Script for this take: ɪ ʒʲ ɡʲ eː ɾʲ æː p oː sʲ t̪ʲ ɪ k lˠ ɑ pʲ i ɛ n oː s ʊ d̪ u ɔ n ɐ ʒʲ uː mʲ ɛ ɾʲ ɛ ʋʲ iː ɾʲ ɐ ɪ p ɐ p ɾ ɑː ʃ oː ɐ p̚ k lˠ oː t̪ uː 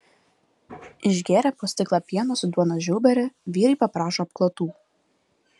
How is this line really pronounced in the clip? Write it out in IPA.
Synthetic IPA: ɪ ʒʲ ɡʲ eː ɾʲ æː p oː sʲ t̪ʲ ɪ k lˠ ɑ pʲ i ɛ n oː s ʊ d̪ u ɔ n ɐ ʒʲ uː bʲ ɛ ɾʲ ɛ ʋʲ iː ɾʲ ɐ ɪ p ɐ p ɾ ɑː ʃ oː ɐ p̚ k lˠ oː t̪ uː